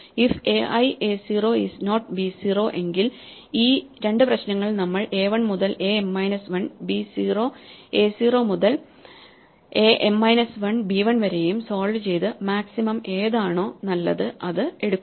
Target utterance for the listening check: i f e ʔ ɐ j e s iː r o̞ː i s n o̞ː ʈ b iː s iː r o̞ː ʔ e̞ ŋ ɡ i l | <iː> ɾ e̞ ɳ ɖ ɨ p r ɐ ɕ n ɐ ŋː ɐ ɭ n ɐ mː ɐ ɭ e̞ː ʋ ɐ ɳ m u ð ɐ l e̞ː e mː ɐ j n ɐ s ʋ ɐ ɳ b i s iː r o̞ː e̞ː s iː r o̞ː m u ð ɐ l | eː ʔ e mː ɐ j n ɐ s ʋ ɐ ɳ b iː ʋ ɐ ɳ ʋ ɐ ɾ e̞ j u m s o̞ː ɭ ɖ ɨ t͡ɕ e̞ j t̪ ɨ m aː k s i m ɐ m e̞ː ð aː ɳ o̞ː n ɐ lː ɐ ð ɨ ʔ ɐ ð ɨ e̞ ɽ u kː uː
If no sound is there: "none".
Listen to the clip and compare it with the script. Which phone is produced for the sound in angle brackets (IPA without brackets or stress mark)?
iː